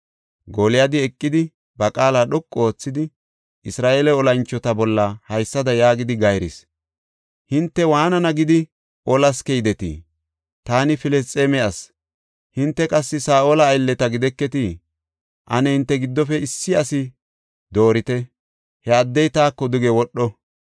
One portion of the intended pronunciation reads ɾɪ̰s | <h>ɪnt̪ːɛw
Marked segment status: correct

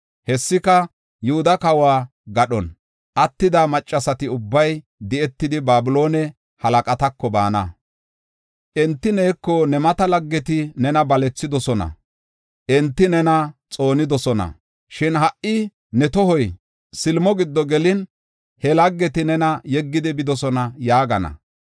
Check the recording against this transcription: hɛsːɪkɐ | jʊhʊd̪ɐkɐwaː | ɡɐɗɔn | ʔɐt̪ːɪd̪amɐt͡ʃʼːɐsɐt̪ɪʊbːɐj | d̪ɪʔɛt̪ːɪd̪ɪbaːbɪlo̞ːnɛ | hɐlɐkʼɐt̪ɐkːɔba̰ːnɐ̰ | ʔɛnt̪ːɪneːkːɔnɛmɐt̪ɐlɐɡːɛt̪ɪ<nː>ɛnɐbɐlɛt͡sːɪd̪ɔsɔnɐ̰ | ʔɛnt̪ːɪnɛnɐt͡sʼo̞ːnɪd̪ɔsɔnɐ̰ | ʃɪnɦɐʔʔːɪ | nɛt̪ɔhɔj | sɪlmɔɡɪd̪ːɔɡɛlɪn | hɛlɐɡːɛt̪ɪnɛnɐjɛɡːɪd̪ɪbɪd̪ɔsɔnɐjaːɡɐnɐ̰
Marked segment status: incorrect: n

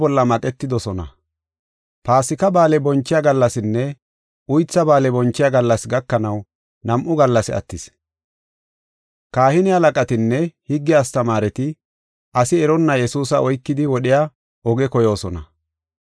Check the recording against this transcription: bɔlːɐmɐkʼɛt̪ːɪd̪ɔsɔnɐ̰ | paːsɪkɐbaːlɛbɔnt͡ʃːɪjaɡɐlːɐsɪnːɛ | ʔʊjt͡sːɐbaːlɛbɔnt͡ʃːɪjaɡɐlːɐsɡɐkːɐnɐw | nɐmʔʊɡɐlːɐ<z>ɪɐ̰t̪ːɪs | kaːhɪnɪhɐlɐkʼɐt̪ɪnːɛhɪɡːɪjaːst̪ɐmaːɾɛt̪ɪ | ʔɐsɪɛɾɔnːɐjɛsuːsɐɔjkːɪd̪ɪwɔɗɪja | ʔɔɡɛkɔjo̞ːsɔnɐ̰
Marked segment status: incorrect: s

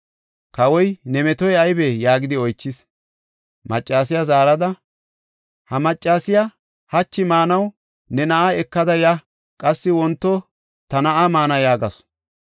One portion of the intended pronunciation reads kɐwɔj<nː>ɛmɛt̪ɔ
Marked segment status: incorrect: n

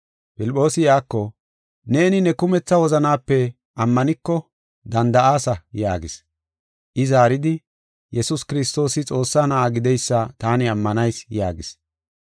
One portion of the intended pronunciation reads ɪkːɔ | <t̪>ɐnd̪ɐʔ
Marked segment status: incorrect: d̪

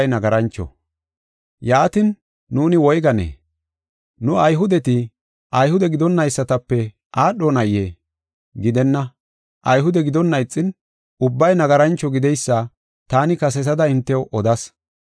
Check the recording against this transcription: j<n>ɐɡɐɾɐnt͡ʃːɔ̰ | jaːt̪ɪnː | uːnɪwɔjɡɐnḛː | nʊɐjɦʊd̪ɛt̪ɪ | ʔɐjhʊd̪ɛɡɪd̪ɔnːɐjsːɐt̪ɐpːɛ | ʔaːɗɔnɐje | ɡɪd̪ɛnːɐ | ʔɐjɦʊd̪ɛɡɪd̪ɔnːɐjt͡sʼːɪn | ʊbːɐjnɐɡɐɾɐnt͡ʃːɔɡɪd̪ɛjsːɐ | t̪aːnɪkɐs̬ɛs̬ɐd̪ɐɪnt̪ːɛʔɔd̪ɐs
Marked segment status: correct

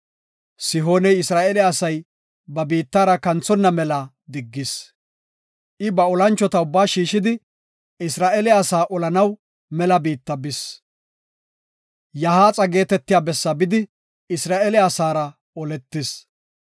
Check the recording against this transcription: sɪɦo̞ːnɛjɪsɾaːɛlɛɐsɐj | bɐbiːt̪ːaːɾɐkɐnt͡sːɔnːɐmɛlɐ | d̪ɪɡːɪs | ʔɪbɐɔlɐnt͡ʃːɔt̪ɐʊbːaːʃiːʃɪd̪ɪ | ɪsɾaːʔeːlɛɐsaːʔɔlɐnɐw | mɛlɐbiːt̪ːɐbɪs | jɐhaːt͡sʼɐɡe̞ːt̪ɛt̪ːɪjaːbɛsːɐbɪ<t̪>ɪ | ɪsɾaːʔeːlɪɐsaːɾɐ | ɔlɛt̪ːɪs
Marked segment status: incorrect: d̪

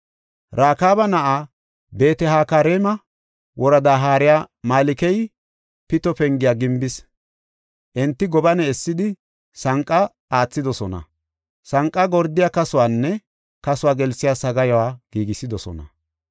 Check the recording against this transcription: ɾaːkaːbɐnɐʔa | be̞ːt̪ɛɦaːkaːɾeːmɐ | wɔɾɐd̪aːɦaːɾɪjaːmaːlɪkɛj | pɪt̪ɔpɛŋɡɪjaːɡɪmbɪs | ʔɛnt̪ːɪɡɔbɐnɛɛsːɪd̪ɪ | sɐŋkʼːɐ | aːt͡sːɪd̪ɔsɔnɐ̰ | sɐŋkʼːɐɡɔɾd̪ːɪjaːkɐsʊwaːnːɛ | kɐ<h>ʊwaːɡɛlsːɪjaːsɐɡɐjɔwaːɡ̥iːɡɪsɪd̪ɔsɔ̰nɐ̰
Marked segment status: incorrect: s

